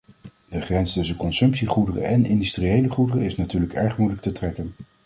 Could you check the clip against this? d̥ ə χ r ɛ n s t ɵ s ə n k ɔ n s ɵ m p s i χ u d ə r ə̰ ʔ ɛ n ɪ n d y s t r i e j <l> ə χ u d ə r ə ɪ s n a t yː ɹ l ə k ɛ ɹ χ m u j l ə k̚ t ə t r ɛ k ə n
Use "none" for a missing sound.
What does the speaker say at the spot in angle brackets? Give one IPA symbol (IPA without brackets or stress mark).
l